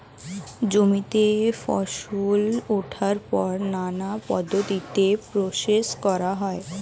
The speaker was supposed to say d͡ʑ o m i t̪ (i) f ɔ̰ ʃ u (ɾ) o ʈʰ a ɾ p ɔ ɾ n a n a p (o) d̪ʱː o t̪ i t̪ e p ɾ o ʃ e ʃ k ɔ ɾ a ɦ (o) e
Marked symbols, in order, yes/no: no, no, no, no

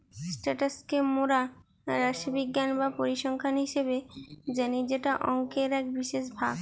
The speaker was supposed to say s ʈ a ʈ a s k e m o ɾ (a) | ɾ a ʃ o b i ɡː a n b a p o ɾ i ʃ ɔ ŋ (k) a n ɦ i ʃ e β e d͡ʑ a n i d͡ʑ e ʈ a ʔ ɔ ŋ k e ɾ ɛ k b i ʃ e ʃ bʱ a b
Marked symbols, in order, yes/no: yes, no

